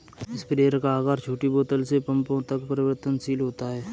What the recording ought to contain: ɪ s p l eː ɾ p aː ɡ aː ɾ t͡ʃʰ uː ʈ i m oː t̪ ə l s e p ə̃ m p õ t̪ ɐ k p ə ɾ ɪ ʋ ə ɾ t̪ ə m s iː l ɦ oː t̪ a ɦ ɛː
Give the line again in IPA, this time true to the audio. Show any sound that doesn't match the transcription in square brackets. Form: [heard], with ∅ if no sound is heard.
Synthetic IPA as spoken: ɪ s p [ɾ] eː ɾ [k] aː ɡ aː ɾ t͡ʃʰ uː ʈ i [b] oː t̪ ə l s e p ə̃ m p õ t̪ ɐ k p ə ɾ ɪ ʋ ə ɾ t̪ ə [n] s iː l ɦ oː t̪ a ɦ ɛː

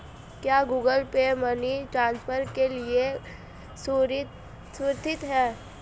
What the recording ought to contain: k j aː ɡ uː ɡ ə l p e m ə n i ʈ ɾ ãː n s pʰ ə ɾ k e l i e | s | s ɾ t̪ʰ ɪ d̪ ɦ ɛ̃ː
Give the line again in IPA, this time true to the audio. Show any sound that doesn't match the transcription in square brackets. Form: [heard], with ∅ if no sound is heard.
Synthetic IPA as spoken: k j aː ɡ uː ɡ ə l p e m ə n i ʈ ɾ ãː n s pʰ ə ɾ k e l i e | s | s ɾ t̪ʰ ɪ [t̪] ɦ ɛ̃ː

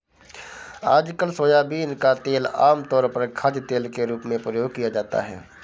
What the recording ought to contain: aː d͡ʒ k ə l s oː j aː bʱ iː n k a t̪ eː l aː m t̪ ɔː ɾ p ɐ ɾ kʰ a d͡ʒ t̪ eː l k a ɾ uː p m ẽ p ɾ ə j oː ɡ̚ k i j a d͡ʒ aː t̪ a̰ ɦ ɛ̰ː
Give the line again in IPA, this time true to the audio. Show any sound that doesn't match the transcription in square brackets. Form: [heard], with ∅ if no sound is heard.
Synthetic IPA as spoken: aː d͡ʒ k ə l s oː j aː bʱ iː n k a t̪ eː l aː m t̪ ɔː ɾ p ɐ ɾ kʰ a d͡ʒ t̪ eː l k [e] ɾ uː p m ẽ p ɾ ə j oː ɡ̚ k i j a d͡ʒ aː t̪ a̰ ɦ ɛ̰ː

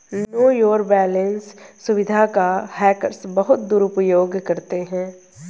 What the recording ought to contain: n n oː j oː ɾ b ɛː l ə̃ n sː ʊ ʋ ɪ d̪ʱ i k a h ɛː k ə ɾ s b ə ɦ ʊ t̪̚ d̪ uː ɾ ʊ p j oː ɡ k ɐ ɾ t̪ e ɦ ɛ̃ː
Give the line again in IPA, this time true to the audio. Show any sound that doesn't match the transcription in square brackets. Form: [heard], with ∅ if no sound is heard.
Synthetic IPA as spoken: n n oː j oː ɾ b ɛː l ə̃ n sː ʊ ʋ ɪ d̪ʱ [a] k a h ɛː k ə ɾ s b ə ɦ ʊ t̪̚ d̪ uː ɾ ʊ p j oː ɡ k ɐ ɾ t̪ e ɦ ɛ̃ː

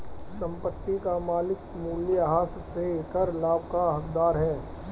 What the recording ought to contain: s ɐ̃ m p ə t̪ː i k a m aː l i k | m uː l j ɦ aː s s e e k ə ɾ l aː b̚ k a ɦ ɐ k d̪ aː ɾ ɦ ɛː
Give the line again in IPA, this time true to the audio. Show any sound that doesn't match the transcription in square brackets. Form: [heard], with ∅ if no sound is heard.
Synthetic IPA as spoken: s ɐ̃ m p ə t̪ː i k a m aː l [ɪ] k | m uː l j ɦ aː s s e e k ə ɾ l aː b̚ k a ɦ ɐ k d̪ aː ɾ ɦ ɛː

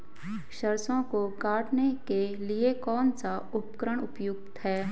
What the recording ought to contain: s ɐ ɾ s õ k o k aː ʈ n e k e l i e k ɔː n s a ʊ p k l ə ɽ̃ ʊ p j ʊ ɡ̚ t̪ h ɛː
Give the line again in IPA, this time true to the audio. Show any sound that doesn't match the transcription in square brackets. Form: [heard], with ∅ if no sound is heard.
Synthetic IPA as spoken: [ʃ] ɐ ɾ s õ k o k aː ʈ n e k e l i e k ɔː n s a ʊ p k [ɾ] ə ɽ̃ ʊ p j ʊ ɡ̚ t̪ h ɛː

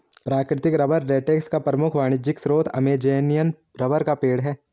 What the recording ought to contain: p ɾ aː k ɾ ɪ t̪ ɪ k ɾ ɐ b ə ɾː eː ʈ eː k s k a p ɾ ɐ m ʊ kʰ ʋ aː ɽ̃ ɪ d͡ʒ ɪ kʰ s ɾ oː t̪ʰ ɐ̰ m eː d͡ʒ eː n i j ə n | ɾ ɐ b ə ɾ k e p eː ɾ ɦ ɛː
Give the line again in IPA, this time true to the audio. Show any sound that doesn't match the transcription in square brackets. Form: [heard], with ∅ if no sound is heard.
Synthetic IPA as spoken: p ɾ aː k ɾ ɪ t̪ ɪ k ɾ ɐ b ə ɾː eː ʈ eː k s k a p ɾ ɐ m ʊ kʰ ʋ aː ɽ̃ ɪ d͡ʒ ɪ [k] s ɾ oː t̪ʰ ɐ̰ m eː d͡ʒ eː n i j ə n | ɾ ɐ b ə ɾ k [a] p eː [ɽ] ɦ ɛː

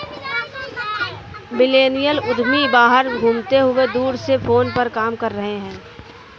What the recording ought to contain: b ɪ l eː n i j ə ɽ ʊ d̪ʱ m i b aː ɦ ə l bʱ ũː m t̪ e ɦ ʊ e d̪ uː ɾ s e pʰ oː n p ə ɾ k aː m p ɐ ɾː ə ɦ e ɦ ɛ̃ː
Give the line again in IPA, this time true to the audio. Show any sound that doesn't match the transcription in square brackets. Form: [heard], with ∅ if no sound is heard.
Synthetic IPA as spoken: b ɪ l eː n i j ə [l] ʊ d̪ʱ m i b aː ɦ ə [ɾ] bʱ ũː m t̪ e ɦ ʊ e d̪ uː ɾ s e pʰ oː n p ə ɾ k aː m [k] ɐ ɾː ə ɦ e ɦ ɛ̃ː

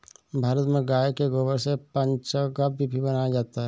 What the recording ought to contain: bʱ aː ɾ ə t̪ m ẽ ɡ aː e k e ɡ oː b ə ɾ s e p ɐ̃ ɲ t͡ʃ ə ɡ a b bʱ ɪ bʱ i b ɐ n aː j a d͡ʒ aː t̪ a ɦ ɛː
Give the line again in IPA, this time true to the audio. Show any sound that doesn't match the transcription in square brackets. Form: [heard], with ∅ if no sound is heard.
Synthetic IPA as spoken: bʱ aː ɾ ə t̪ m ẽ ɡ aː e k e ɡ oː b ə ɾ s e p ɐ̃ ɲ t͡ʃ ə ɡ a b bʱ [i] bʱ i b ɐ n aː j a d͡ʒ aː t̪ a ɦ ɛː

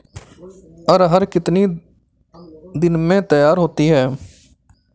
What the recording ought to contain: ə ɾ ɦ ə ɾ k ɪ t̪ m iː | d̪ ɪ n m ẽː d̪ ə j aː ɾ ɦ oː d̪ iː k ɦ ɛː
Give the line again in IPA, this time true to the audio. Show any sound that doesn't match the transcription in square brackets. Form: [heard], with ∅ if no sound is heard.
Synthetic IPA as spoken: ə ɾ ɦ ə ɾ k ɪ t̪ [n] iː | d̪ ɪ n m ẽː [t̪] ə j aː ɾ ɦ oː [t̪] iː [∅] ɦ ɛː

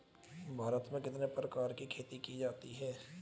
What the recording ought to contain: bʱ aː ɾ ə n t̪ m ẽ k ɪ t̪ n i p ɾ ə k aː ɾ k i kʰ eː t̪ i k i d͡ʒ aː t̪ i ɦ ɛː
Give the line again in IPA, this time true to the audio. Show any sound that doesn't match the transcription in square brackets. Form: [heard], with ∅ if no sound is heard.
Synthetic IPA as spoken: bʱ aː ɾ ə [∅] t̪ m ẽ k ɪ t̪ n [e] p ɾ ə k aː ɾ k i kʰ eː t̪ i k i d͡ʒ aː t̪ i ɦ ɛː

